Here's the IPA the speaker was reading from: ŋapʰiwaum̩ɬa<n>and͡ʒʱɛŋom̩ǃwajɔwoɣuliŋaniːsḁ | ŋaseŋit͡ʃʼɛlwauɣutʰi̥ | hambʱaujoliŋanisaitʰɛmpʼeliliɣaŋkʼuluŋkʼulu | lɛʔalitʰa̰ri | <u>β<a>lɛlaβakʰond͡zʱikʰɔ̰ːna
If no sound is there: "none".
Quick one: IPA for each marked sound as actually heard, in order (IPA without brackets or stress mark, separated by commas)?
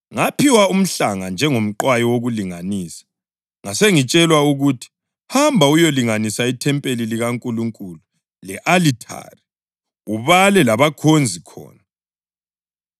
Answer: ŋ, u, a